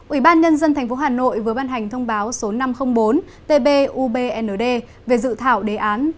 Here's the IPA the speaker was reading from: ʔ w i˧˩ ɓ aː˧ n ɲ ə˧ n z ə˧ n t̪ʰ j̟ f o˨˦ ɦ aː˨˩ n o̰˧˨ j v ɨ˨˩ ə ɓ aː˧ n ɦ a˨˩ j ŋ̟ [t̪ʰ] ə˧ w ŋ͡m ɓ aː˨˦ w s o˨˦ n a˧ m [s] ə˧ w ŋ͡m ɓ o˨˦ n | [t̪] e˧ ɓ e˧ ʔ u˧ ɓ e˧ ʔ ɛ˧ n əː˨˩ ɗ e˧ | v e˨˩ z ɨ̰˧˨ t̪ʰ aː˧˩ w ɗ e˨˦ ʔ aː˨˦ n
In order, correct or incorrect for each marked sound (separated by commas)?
correct, incorrect, correct